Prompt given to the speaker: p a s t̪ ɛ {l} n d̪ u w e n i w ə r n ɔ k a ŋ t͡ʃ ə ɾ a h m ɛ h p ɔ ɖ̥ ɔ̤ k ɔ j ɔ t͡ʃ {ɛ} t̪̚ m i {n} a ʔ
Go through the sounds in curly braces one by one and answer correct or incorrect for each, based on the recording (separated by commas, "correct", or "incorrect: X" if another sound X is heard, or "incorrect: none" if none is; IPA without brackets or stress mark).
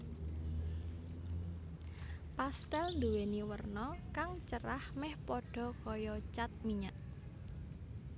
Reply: correct, incorrect: a, incorrect: ɲ